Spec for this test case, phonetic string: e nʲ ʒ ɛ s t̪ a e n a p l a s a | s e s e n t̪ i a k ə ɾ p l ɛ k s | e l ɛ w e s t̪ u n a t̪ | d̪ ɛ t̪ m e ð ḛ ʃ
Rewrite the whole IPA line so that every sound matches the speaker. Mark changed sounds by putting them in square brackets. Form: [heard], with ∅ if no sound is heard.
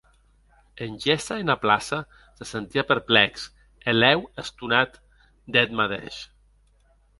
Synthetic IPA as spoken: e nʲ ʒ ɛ s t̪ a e n a p l a s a | s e s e n t̪ i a [p] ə ɾ p l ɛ k s | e l ɛ w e s t̪ u n a t̪ | d̪ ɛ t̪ m [a] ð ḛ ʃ